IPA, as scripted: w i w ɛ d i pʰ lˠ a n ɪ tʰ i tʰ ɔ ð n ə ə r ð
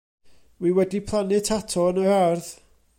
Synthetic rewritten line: w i w ɛ d i pʰ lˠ a n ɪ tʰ a tʰ ɔ n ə a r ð